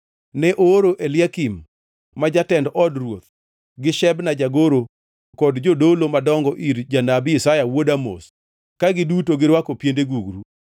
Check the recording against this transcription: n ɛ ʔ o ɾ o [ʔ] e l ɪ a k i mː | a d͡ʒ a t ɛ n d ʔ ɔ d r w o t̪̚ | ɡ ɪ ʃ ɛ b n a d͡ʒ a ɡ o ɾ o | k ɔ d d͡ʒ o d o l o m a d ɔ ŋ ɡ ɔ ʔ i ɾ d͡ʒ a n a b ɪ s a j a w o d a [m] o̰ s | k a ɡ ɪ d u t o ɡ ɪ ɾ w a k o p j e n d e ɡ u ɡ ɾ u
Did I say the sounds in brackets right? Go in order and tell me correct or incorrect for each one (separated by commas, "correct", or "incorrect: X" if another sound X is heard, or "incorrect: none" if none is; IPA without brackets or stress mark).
correct, correct